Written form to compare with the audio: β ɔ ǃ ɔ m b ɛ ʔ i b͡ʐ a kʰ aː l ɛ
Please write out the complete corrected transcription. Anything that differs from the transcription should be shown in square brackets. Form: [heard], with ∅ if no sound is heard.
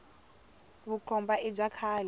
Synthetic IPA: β [u] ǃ ɔ m b [a] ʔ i b͡ʐ a kʰ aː l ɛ